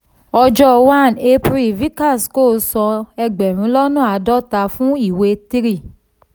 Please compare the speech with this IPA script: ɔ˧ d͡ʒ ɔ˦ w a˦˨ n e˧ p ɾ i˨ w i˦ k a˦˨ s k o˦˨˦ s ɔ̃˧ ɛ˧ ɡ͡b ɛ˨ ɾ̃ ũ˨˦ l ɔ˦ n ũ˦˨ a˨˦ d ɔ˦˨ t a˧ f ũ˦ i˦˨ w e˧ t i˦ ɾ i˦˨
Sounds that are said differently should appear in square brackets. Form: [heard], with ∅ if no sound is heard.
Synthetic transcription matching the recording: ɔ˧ d͡ʒ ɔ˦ w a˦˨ n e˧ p ɾ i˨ [v] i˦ k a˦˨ s k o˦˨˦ s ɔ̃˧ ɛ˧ ɡ͡b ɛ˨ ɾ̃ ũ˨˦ l ɔ˦ n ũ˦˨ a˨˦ d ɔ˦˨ t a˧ f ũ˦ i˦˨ w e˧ t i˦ ɾ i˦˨